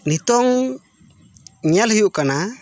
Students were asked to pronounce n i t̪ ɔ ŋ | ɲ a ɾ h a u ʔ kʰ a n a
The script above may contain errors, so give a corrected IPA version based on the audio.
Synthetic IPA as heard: n i t̪ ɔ ŋ | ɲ a l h i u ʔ k a n a